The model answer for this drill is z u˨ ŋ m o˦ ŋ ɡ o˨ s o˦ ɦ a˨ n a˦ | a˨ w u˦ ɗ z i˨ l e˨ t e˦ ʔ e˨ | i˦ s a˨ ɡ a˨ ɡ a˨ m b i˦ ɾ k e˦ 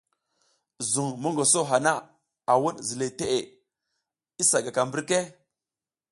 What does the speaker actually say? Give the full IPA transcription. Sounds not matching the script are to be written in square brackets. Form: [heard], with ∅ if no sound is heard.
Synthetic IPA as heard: z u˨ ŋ m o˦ ŋ ɡ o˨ s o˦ ɦ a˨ n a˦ | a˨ w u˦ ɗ z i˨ l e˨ t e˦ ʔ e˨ | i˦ s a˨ ɡ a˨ [k] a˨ m b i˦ ɾ k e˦